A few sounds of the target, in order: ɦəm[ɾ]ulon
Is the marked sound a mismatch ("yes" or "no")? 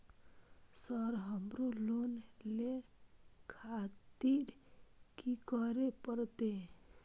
no